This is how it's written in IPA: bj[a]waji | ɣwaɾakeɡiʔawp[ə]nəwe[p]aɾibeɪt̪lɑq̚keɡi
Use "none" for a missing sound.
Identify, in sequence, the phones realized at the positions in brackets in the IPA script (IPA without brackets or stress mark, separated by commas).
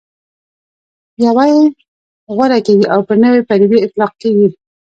a, ə, p